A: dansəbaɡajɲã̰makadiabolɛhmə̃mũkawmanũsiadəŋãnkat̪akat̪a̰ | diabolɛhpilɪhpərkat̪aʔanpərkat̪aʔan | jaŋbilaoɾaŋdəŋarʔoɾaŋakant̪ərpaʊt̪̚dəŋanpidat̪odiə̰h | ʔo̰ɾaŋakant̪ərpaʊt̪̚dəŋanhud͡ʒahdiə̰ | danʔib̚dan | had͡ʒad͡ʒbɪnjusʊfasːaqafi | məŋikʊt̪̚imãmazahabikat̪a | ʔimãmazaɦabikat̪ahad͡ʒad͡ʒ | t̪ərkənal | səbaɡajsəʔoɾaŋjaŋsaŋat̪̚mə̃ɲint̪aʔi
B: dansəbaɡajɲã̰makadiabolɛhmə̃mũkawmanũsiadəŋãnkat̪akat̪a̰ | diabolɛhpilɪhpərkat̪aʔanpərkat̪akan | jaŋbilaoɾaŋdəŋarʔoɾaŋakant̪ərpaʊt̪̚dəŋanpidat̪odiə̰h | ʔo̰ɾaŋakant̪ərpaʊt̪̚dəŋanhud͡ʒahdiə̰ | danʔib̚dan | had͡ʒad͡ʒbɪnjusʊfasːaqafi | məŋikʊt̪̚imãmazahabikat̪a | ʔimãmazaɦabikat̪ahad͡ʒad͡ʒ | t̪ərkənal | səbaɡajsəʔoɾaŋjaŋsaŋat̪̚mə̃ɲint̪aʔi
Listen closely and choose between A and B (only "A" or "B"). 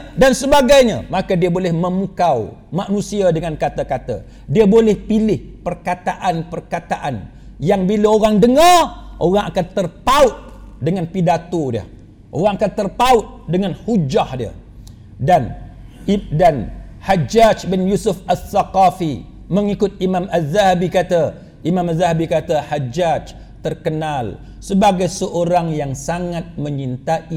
A